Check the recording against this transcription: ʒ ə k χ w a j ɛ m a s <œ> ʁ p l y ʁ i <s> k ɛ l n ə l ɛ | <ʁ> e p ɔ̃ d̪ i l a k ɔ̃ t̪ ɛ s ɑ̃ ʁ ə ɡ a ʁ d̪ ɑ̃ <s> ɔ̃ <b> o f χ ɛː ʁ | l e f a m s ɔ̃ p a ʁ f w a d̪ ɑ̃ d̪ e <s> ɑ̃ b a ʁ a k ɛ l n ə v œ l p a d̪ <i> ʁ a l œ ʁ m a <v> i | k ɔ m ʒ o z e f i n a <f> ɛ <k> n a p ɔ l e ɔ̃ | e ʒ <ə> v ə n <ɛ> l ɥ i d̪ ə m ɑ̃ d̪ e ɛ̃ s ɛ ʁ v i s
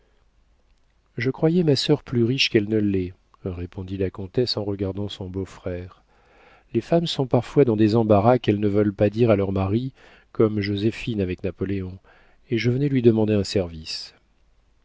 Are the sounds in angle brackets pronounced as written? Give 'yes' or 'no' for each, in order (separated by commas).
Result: yes, no, yes, yes, yes, no, yes, no, no, yes, yes, yes